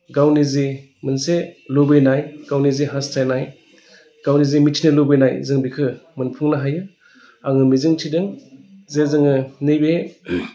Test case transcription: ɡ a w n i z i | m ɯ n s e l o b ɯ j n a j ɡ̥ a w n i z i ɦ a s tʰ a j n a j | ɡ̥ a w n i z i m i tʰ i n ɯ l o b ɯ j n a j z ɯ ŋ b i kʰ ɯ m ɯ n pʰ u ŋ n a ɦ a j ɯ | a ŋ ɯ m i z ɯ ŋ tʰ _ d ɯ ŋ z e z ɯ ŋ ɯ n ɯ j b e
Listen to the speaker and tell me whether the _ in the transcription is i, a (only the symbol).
i